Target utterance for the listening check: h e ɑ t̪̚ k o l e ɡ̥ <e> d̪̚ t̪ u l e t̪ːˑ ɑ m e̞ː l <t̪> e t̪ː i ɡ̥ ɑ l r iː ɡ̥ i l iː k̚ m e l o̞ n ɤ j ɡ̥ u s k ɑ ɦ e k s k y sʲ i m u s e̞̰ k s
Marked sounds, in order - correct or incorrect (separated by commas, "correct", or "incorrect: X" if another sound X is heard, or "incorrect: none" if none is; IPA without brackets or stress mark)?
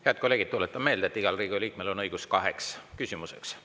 incorrect: i, incorrect: d̪